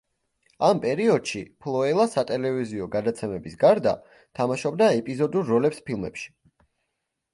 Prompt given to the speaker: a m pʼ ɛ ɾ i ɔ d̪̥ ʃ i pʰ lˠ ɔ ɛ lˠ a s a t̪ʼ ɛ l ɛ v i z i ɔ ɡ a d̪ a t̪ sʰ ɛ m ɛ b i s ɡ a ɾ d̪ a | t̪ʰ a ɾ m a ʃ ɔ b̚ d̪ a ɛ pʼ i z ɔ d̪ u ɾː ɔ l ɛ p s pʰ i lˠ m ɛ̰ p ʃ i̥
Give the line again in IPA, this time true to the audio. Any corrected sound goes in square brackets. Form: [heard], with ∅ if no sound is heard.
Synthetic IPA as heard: a m pʼ ɛ ɾ i ɔ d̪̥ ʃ i pʰ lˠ ɔ ɛ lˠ a s a t̪ʼ ɛ l ɛ v i z i ɔ ɡ a d̪ a t̪ sʰ ɛ m ɛ b i s ɡ a ɾ d̪ a | t̪ʰ a [∅] m a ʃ ɔ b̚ d̪ a ɛ pʼ i z ɔ d̪ u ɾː ɔ l ɛ p s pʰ i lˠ m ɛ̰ p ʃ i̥